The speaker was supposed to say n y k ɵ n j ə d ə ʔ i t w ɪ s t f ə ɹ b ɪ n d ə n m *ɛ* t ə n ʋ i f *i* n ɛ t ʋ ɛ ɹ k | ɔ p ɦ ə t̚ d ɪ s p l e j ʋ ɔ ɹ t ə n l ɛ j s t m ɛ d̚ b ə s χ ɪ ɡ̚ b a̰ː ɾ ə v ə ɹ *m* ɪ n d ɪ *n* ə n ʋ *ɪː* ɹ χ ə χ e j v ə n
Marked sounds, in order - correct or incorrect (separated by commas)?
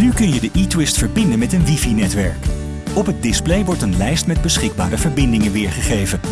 correct, correct, incorrect, incorrect, correct